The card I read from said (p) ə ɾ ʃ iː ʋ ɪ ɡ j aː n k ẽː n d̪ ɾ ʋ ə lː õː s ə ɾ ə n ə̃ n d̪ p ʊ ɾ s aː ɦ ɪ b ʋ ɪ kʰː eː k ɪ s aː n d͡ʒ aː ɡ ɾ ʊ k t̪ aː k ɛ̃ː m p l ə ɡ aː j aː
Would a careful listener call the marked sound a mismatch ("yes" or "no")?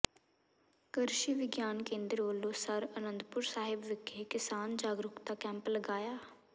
yes